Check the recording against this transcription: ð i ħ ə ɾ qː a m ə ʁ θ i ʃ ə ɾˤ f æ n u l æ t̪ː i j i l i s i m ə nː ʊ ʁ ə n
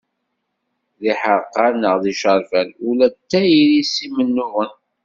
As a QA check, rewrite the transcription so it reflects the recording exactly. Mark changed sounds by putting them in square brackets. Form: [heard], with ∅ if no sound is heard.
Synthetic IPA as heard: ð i ħ ə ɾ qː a [n] ə ʁ [ð] i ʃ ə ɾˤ f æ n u l æ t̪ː [æ] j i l i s i m ə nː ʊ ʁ ə n